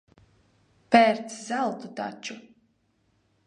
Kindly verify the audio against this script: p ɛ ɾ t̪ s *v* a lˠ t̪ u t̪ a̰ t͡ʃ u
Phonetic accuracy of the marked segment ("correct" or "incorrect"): incorrect